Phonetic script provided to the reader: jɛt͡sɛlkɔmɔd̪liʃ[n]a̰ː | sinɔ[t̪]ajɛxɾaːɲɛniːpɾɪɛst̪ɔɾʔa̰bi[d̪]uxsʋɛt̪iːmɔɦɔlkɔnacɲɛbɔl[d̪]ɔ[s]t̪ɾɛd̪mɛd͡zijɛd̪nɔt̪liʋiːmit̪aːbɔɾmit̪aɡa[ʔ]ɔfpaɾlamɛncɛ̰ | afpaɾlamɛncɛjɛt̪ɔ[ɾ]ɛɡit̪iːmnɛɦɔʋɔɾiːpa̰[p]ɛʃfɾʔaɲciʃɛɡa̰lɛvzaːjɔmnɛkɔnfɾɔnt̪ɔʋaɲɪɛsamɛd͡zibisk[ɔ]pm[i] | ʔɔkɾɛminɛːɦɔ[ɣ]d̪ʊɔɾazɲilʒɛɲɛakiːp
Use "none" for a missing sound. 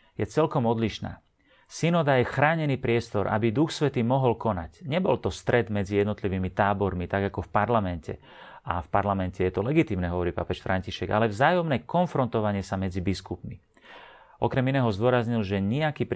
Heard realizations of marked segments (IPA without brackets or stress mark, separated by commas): n, d̪, d̪, t̪, s, k, l, p, u, i, z